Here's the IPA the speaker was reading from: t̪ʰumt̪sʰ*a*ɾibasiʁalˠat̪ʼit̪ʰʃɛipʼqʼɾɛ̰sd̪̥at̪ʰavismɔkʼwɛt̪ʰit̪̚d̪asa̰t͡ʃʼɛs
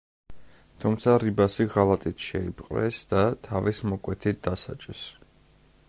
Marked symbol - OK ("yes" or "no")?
yes